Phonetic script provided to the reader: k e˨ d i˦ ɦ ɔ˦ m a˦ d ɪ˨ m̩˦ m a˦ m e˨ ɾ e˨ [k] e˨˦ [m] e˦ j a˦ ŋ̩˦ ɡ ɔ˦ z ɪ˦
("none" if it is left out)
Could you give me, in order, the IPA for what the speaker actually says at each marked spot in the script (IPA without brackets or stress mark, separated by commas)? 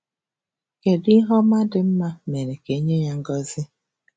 k, ɲ